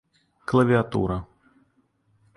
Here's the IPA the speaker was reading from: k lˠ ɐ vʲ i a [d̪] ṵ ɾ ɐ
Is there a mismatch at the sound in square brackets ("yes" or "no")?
yes